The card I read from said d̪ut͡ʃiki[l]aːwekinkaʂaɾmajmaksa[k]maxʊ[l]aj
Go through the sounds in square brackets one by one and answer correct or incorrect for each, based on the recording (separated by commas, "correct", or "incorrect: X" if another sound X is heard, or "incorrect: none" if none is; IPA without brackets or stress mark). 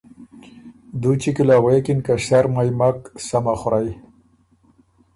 correct, incorrect: none, incorrect: ɾ